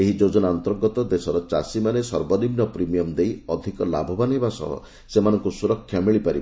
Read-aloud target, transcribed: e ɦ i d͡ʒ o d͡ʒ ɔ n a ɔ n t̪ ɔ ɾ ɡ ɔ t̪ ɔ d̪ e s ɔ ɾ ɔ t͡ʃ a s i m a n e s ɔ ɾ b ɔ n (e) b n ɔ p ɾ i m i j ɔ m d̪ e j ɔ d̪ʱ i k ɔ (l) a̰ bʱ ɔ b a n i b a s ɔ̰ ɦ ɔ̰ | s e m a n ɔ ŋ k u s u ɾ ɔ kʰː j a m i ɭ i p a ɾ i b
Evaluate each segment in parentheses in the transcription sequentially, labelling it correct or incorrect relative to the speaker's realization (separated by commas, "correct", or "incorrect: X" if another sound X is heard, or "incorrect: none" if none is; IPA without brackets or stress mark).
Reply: incorrect: i, correct